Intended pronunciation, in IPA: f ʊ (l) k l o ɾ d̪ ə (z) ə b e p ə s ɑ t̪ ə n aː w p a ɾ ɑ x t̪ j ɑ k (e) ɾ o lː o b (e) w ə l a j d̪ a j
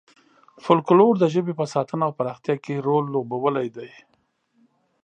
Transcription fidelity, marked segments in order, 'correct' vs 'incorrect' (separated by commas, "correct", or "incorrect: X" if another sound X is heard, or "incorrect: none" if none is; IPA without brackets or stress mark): correct, incorrect: ʒ, correct, incorrect: a